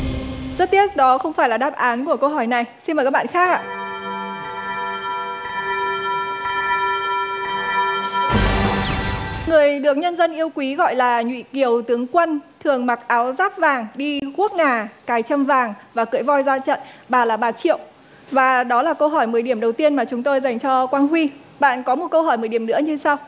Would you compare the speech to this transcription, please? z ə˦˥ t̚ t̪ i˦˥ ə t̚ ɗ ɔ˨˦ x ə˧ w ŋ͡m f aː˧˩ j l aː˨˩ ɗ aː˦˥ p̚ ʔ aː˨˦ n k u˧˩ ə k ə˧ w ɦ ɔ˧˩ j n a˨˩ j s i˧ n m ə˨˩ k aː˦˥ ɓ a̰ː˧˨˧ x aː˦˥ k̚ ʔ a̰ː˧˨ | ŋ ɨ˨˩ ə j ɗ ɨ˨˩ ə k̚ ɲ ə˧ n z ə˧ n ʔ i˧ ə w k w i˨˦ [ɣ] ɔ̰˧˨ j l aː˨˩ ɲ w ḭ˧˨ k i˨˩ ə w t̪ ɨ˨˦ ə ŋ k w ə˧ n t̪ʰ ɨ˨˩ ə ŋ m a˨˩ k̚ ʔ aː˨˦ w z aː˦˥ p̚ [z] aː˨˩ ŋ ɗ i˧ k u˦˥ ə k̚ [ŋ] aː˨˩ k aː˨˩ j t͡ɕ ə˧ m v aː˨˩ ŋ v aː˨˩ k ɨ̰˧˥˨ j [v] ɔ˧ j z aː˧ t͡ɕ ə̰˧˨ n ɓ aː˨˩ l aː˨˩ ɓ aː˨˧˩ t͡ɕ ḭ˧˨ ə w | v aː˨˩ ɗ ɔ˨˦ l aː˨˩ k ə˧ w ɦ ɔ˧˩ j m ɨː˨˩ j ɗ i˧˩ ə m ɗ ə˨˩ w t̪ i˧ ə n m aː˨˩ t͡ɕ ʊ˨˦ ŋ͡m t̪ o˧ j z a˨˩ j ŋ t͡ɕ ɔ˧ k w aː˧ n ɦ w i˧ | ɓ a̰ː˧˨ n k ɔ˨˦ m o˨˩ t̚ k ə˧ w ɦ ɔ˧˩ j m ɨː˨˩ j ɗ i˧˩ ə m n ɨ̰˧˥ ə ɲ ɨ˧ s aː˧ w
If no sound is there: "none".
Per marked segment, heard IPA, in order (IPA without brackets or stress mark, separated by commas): ɣ, v, ŋ, v